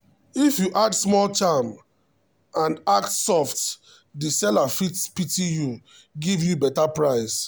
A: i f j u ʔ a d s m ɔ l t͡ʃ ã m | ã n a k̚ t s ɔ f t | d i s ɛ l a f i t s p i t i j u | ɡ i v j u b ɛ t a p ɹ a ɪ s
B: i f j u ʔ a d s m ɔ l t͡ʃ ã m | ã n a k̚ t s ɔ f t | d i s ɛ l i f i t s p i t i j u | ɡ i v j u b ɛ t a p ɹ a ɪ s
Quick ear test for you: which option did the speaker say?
A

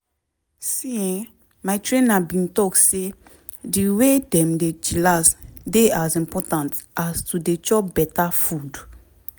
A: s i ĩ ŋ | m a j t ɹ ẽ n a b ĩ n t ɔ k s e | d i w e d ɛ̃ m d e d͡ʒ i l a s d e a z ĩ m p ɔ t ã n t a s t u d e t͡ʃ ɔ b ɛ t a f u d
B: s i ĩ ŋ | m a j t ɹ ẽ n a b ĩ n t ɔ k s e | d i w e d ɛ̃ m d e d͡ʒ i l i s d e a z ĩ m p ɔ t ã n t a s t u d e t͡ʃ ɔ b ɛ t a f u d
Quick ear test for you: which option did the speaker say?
A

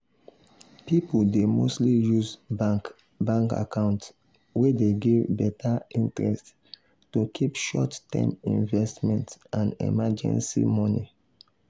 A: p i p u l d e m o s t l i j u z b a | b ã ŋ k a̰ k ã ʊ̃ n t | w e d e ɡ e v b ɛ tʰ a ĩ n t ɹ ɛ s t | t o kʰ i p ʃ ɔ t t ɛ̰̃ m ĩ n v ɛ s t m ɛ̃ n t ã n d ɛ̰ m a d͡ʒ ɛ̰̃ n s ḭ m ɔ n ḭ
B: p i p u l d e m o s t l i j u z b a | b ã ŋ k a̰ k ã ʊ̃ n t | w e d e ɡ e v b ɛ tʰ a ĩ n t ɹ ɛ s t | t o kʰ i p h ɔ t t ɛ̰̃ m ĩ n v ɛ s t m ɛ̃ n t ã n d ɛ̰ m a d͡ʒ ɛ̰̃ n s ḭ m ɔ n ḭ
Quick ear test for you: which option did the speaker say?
A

